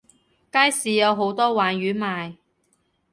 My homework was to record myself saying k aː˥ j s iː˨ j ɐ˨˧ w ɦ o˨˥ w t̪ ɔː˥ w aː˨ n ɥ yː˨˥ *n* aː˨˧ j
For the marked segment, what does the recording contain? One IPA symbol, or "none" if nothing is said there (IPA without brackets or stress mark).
m